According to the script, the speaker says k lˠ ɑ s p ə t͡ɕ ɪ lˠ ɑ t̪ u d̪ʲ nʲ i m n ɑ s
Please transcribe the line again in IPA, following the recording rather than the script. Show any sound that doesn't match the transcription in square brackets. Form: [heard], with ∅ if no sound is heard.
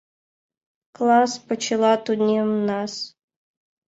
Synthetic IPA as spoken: k lˠ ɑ s p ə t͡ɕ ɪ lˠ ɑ t̪ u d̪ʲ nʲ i m n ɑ s